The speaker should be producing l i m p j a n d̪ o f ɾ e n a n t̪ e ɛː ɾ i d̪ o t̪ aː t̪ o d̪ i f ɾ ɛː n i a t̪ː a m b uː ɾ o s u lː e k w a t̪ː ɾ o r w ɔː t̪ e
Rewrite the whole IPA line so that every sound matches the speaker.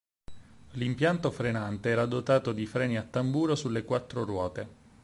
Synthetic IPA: l i m p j a n t̪ o f ɾ e n a n t̪ e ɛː ɾ a d̪ o t̪ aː t̪ o d̪ i f ɾ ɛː n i a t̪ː a m b uː ɾ o s u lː e k w a t̪ː ɾ o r w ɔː t̪ e